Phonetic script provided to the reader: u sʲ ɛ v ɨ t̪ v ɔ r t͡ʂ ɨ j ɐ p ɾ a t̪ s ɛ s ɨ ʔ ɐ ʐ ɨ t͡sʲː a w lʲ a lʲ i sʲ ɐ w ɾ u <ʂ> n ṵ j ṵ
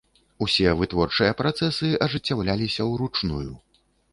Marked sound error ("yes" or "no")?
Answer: yes